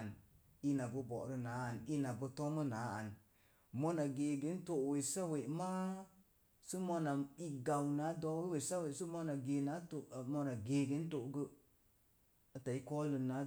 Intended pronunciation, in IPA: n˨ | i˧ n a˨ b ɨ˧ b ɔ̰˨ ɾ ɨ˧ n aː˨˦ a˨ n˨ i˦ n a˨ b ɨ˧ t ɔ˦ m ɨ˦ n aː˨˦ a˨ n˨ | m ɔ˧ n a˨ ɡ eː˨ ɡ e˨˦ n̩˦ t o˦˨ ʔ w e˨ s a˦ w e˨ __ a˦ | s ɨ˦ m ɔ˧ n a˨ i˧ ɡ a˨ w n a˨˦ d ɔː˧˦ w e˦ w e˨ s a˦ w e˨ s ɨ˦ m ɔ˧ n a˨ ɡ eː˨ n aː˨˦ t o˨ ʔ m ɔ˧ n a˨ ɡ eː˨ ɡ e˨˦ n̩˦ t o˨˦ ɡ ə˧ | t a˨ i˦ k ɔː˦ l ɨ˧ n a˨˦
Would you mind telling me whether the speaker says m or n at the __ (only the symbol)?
m